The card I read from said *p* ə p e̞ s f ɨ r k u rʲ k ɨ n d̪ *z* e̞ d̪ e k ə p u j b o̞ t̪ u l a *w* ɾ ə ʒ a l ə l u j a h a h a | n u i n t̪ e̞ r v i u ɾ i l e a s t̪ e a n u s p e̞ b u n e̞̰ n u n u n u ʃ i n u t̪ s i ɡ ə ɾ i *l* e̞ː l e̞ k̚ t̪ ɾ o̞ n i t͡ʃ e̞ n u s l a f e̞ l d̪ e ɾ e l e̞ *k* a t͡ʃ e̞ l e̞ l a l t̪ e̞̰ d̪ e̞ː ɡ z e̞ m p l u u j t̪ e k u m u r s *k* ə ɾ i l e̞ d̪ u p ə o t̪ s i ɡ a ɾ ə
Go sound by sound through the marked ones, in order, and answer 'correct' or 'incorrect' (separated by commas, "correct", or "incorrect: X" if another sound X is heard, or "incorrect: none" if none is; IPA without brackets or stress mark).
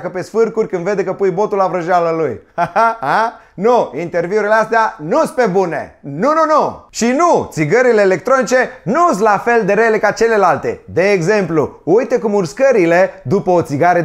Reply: incorrect: k, incorrect: v, incorrect: v, correct, correct, correct